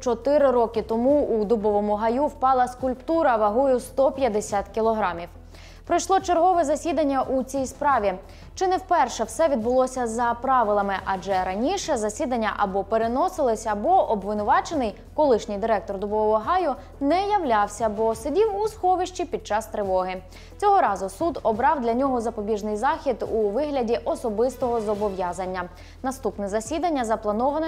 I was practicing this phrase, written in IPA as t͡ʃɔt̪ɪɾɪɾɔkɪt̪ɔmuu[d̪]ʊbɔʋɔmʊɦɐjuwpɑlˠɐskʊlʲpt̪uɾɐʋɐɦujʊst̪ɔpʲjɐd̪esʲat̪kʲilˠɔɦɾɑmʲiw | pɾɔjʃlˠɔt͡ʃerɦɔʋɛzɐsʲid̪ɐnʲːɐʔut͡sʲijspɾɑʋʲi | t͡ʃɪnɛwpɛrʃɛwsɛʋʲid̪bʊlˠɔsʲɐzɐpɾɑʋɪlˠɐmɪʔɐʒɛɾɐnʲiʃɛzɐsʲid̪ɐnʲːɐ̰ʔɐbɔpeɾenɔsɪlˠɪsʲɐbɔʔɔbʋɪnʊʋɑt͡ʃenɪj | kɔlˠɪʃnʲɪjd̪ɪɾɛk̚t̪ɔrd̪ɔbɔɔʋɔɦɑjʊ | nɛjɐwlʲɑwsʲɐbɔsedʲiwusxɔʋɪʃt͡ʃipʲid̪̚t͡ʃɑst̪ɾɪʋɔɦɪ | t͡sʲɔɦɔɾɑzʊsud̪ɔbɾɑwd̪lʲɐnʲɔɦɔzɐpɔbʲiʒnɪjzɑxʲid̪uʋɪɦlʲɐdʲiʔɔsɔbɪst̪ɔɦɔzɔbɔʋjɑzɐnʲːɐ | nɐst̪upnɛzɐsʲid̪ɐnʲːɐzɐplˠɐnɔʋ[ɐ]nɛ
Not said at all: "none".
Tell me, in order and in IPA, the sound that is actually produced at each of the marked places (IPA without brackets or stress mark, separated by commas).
d̪, ɐ